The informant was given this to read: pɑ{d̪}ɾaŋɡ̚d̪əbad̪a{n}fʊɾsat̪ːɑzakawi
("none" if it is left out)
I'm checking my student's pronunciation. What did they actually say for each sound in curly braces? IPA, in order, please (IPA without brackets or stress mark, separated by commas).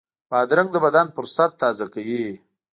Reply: d̪, n